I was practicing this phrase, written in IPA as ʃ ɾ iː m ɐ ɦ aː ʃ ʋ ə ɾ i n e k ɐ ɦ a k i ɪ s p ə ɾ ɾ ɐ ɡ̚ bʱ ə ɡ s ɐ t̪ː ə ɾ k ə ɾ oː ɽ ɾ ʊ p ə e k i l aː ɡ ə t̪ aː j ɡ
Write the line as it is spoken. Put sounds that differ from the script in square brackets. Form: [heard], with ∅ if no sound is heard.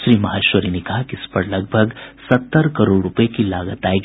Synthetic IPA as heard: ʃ ɾ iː m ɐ ɦ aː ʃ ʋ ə ɾ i n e k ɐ ɦ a k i ɪ s p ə ɾ [l] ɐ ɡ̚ bʱ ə ɡ s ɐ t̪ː ə ɾ k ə ɾ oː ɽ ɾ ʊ p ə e k i l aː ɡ ə t̪ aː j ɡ